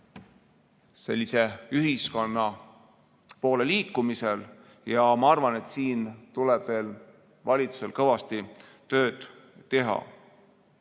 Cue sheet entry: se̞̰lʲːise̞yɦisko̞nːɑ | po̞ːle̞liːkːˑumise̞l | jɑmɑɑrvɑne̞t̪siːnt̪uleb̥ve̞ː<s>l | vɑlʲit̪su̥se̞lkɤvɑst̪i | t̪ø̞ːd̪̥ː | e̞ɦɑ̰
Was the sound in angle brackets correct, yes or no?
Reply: no